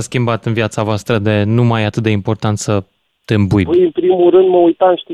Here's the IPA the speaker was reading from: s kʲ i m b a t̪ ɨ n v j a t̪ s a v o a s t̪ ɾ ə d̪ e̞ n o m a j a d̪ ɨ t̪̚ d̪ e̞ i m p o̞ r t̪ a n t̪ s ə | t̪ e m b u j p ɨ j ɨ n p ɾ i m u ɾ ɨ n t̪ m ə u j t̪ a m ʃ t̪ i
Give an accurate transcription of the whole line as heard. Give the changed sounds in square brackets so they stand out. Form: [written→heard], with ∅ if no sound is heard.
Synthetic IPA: s kʲ i m b a t̪ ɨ n v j a t̪ s a v o a s t̪ ɾ ə d̪ e̞ n [o→u] m a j a [d̪→t̪] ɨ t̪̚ d̪ e̞ i m p o̞ r t̪ a n t̪ s ə | t̪ e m b u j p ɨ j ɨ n p ɾ i m u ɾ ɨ n [t̪→d̪] m ə u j t̪ a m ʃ t̪ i